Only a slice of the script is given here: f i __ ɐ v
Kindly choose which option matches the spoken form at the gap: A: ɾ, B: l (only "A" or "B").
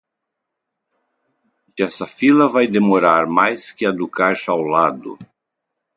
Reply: B